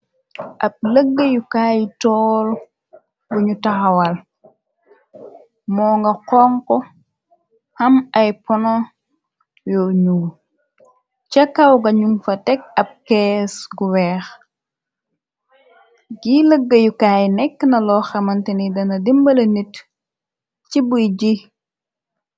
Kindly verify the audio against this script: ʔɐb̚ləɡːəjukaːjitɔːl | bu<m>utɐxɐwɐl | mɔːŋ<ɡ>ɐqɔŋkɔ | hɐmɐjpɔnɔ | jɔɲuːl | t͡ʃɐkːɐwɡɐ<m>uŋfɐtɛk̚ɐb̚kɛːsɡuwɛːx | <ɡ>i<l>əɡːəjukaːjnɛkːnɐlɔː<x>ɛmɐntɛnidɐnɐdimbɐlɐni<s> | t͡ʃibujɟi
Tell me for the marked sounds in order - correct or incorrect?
incorrect: ɲ, correct, incorrect: ɲ, correct, correct, correct, incorrect: t

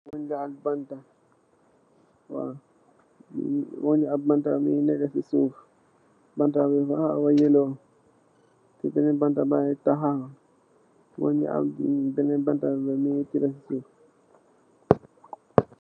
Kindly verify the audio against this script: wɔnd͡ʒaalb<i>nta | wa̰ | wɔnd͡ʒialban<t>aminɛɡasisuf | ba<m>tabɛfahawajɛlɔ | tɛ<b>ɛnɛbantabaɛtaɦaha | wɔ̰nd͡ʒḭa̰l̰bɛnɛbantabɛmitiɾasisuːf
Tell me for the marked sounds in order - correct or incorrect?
incorrect: a, correct, incorrect: n, correct

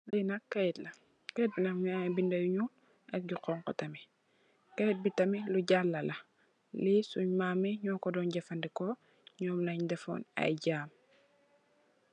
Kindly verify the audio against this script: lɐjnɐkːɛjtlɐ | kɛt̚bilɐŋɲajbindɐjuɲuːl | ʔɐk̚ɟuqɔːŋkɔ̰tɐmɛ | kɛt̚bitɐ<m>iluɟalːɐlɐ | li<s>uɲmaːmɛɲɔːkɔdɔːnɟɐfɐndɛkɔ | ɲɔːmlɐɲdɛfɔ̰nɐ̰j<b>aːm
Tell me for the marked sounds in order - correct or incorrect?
correct, correct, incorrect: ɟ

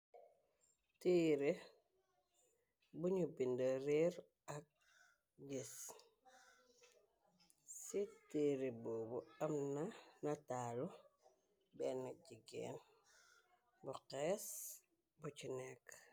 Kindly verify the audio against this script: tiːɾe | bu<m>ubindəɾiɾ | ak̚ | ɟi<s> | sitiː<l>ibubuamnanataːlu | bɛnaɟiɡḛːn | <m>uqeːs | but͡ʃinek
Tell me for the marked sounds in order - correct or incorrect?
incorrect: ɲ, correct, incorrect: ɾ, incorrect: b

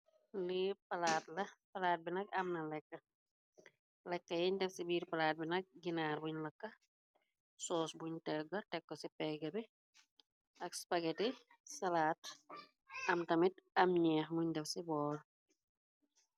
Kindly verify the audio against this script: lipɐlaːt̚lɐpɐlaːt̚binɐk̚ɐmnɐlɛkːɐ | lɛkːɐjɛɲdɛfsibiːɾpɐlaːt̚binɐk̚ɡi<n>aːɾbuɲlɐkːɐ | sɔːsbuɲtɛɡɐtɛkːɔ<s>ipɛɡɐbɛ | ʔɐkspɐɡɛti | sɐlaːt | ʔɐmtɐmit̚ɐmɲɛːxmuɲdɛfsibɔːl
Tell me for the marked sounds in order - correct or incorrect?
correct, correct

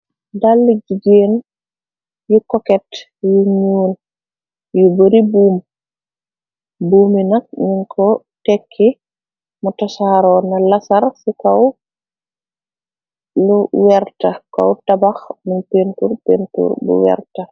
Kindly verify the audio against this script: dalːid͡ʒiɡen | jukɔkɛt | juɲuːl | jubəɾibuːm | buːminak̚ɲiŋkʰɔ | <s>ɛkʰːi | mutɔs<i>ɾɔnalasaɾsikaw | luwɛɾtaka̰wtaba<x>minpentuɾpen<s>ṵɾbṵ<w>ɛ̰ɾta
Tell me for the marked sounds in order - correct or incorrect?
incorrect: t, incorrect: a, correct, incorrect: t, correct

